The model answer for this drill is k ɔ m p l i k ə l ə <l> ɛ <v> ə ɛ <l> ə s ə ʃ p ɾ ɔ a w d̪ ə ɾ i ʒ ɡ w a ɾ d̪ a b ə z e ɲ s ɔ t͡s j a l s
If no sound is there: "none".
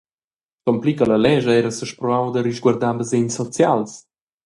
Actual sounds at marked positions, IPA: l, ʒ, ɾ

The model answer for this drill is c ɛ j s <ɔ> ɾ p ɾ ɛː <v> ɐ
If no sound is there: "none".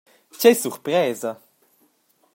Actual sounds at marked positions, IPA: u, z

